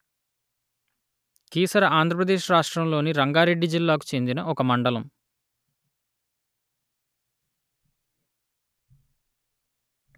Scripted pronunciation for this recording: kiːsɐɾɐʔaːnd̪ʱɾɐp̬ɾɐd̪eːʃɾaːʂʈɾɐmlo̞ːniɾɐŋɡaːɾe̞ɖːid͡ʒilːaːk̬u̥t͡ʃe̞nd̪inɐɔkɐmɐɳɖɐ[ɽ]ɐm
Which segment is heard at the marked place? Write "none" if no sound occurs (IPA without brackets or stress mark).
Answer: l